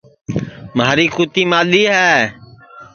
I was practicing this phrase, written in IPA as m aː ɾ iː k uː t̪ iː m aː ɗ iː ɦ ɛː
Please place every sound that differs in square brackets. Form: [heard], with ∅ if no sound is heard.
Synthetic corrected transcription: m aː ɾ iː k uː t̪ iː m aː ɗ iː ɦ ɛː